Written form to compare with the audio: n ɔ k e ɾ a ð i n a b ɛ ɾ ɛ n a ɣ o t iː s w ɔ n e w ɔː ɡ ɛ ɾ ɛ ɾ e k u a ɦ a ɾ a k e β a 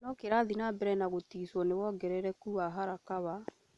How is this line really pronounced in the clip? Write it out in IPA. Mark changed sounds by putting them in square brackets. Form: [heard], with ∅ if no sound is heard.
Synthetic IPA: n ɔ k e ɾ a ð i n a b ɛ ɾ ɛ n a ɣ o t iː s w ɔ n e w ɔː ɡ ɛ ɾ ɛ ɾ [ɛ] k u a ɦ a ɾ a k [a] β a

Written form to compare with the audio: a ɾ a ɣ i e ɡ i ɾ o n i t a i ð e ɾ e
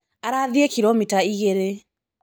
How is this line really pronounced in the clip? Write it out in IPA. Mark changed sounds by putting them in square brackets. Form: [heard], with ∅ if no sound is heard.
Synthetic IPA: a ɾ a [ð] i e [k] i ɾ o [m] i t a i [ɣ] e ɾ e

